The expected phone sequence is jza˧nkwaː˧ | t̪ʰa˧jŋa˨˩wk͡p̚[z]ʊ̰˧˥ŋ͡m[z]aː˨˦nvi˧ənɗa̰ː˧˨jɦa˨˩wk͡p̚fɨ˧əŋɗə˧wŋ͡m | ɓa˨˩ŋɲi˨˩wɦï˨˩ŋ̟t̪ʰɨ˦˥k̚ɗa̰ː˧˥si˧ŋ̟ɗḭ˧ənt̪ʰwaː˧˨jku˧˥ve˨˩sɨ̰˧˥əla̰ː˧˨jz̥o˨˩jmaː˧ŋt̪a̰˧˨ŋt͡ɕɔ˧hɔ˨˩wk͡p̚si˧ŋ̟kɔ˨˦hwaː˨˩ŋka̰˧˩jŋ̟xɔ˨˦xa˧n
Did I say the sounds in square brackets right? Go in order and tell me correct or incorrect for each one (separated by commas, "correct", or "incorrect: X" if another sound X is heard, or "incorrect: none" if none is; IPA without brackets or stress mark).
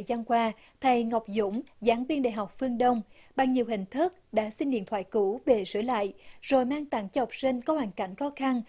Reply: correct, correct